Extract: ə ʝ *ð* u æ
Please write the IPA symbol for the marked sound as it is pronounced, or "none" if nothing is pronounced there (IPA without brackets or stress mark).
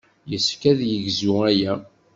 z